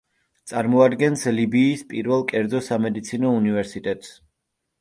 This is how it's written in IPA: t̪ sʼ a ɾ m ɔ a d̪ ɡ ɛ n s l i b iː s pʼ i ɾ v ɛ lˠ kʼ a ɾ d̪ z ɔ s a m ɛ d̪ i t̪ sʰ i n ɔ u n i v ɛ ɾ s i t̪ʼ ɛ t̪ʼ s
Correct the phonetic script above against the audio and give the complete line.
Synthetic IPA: t̪ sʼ a ɾ m ɔ a d̪ ɡ ɛ n s l i b iː s pʼ i ɾ v ɛ lˠ kʼ ɛ ɾ d̪ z ɔ s a m ɛ d̪ i t̪ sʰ i n ɔ u n i v ɛ ɾ s i t̪ʼ ɛ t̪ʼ s